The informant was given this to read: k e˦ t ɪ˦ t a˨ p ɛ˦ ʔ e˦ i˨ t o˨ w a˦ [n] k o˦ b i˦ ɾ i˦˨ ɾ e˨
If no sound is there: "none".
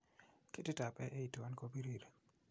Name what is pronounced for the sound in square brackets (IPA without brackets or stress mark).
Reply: n